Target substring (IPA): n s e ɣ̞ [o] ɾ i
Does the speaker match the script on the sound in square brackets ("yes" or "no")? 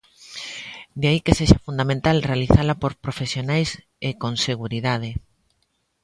no